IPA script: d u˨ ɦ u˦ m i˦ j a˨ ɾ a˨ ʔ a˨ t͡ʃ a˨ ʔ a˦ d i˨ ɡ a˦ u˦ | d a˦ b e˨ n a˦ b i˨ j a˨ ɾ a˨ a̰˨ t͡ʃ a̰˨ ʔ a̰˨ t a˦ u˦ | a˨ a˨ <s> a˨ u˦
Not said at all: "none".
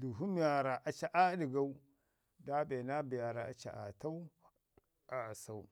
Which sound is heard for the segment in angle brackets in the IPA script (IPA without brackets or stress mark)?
s